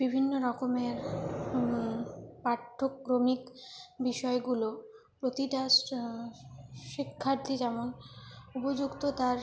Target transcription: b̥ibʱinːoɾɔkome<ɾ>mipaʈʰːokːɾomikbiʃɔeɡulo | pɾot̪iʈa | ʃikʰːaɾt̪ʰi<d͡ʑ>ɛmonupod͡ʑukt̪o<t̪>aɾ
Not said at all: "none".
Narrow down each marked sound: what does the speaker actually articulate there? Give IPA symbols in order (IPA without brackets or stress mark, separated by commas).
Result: ɾ, d͡ʑ, t̪